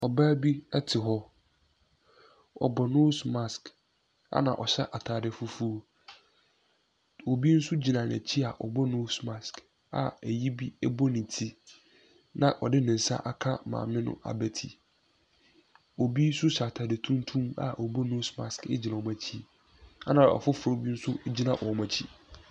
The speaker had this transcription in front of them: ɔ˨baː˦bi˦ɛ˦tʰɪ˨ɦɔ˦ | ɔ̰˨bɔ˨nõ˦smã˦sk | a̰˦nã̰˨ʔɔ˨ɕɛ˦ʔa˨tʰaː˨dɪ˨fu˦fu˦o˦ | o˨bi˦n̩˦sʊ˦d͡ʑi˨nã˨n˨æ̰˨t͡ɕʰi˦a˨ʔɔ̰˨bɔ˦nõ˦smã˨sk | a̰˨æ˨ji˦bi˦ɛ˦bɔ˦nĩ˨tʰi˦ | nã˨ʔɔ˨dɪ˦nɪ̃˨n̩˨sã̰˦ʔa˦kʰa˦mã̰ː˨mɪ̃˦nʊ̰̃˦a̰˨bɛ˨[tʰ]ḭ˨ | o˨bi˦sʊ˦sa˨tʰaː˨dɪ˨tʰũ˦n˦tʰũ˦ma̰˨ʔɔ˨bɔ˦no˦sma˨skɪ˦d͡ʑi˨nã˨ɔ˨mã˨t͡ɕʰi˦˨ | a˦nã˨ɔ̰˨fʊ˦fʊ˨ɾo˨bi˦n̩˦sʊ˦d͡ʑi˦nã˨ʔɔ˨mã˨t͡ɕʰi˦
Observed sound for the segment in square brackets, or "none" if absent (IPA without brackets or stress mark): tʰ